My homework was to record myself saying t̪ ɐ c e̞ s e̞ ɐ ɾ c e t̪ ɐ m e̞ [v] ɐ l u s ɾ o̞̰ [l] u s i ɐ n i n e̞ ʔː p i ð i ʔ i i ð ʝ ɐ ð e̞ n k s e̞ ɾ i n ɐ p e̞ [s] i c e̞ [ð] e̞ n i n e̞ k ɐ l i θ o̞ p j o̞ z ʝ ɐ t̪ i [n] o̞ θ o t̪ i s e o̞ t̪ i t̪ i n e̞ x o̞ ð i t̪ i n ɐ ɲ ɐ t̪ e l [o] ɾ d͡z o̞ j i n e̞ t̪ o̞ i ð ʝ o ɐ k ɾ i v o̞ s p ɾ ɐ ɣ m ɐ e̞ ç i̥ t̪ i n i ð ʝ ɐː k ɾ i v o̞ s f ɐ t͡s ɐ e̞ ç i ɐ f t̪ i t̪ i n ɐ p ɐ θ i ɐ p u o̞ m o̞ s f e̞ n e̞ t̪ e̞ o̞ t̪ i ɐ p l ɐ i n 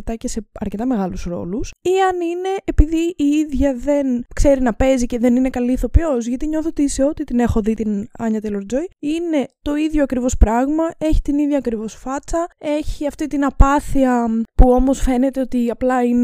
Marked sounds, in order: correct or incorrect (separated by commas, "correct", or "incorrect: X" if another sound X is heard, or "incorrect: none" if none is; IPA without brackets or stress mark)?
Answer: incorrect: ɣ, correct, incorrect: z, correct, incorrect: ɲ, correct